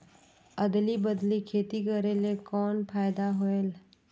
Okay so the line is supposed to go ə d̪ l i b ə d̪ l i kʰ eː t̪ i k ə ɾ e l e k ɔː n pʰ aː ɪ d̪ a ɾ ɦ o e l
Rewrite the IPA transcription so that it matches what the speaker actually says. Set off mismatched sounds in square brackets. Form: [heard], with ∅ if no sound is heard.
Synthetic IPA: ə d̪ l i b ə d̪ l i kʰ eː t̪ i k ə ɾ e l e k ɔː n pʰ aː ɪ d̪ a [∅] ɦ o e l